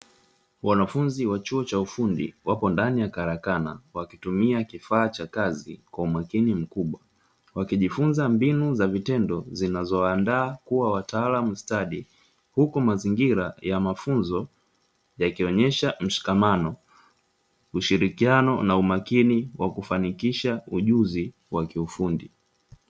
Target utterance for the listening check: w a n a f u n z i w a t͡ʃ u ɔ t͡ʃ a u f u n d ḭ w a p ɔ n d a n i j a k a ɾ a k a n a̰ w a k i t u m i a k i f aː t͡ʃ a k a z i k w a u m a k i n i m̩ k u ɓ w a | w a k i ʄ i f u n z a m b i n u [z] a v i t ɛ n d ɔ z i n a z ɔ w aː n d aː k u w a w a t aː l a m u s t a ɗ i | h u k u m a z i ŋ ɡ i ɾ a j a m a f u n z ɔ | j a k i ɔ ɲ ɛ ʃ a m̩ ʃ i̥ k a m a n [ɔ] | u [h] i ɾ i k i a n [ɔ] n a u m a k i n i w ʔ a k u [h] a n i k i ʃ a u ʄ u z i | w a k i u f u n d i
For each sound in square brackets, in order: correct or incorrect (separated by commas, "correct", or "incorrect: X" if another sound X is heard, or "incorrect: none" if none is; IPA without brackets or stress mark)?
correct, correct, incorrect: ʃ, correct, incorrect: f